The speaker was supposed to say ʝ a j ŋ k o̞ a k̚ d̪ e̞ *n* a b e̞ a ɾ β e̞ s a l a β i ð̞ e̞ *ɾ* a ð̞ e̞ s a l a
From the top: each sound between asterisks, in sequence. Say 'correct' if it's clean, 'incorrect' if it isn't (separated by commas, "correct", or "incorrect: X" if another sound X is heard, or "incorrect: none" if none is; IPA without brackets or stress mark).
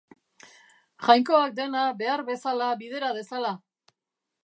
correct, correct